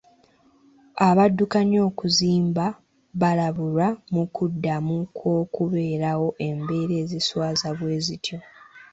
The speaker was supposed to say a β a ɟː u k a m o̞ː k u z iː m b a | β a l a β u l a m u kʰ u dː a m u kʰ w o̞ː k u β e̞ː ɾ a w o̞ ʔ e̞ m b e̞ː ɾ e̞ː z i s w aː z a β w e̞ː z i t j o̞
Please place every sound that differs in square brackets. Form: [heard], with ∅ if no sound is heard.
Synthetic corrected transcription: a β a [dː] u k a [ɲ] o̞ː k u z iː m b a | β a l a β u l a m u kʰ u dː a m u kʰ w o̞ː k u β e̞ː ɾ a w o̞ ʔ e̞ m b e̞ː ɾ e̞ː z i s w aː z a β w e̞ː z i t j o̞